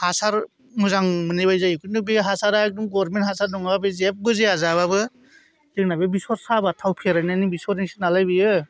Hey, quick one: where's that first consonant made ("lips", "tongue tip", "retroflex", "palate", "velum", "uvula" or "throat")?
throat